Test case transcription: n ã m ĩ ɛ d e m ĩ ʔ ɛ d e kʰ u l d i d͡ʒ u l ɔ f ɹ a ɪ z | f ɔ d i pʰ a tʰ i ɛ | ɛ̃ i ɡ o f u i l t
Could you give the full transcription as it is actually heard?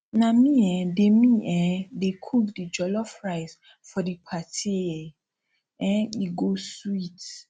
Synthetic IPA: n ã m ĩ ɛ d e m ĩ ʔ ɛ d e kʰ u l d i d͡ʒ ɔ l ɔ f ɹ a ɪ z | f ɔ d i pʰ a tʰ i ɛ | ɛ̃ i ɡ o s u i t